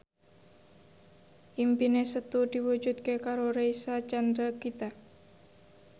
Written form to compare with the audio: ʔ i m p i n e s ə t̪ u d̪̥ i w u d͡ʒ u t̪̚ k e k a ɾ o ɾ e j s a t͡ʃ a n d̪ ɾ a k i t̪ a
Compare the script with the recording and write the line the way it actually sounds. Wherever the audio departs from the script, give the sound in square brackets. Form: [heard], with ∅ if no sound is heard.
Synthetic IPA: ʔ i m p i n e s ə t̪ u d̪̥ i w u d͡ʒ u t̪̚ k e k a ɾ o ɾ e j s a t͡ʃ a n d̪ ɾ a k i t̪ a